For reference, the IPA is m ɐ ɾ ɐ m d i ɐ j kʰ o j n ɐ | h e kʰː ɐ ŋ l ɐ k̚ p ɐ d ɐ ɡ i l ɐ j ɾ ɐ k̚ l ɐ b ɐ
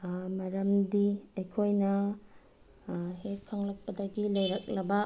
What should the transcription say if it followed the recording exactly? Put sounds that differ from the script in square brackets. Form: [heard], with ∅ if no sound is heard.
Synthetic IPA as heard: m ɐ ɾ ɐ m d i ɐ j kʰ o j n ɐ | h e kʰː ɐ ŋ l ɐ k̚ p ɐ d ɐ ɡ i l ɐ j ɾ ɐ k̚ l ɐ b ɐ